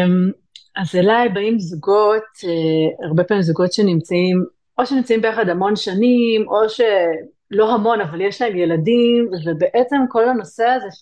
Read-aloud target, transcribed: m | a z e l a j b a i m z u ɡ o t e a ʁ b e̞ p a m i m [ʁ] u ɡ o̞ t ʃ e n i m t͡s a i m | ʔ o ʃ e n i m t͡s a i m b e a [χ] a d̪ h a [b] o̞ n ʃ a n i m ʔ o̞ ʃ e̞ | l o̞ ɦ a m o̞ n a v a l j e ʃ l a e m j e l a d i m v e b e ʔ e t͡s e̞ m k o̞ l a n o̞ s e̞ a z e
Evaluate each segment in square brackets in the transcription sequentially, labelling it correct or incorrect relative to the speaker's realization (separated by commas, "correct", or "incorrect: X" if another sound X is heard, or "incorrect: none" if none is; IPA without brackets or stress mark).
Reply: incorrect: z, correct, incorrect: m